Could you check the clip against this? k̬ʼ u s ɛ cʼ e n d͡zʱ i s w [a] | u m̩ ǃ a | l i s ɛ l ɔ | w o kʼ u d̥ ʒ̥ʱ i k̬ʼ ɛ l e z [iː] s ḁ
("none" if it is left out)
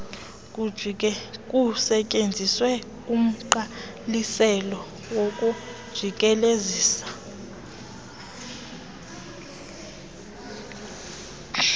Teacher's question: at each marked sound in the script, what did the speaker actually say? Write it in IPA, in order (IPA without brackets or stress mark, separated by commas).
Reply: ɛ, iː